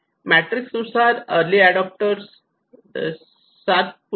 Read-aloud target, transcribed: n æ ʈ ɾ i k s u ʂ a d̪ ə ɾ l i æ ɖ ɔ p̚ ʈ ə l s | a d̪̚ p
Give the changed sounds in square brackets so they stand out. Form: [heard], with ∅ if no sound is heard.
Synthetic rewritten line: [m] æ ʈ ɾ i k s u [s] a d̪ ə ɾ l i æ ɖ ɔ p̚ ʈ ə [ɾ] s | a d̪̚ p